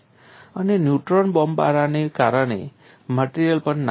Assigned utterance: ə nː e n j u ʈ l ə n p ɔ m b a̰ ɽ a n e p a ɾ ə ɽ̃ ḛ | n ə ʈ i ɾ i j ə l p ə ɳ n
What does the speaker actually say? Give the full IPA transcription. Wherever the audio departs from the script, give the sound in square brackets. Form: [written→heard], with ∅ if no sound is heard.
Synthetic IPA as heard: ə [nː→n] e n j u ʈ [l→ɾ] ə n [p→b] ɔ m b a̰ [ɽ→ɾ] a n e [p→k] a ɾ ə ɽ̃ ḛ | [n→m] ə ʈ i ɾ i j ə l p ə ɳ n